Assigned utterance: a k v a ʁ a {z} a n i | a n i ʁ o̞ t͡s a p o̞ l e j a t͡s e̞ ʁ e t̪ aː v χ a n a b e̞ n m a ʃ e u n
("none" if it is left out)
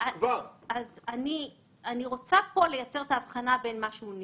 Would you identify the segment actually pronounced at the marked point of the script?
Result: z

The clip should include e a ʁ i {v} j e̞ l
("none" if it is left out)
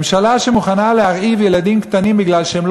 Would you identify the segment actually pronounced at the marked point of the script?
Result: v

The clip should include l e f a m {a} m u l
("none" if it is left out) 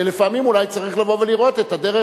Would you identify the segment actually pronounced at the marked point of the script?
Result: i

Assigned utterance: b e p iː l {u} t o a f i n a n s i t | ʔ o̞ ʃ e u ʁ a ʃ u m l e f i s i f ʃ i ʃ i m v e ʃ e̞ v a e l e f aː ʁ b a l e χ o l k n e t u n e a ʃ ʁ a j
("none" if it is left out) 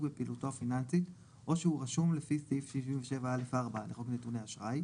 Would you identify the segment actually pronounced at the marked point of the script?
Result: u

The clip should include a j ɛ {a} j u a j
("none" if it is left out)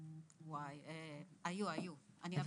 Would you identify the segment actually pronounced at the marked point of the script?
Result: a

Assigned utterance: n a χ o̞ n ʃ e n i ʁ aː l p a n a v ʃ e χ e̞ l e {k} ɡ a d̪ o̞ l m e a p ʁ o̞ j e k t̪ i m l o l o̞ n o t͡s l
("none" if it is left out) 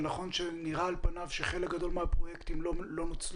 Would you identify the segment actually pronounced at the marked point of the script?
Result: k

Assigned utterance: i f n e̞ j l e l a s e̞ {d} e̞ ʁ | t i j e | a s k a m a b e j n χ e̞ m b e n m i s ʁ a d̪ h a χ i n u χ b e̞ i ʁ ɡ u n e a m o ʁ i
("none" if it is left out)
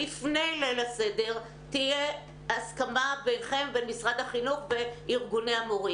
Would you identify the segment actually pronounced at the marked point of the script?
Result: d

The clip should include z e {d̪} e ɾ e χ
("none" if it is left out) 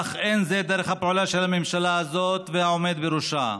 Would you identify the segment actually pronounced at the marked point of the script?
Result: d̪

